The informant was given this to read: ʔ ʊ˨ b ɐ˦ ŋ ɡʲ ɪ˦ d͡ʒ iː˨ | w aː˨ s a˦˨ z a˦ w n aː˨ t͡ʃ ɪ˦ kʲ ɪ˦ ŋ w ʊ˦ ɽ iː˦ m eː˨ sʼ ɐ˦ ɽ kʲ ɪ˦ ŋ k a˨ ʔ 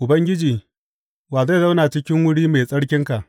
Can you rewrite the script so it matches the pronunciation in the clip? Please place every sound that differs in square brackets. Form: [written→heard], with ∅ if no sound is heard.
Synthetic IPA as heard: ʔ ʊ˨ b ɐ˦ ŋ ɡʲ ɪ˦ d͡ʒ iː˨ | w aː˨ [s→z] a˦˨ z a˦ w n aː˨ t͡ʃ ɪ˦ kʲ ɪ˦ ŋ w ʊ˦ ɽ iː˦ m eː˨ sʼ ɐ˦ ɽ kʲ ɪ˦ ŋ k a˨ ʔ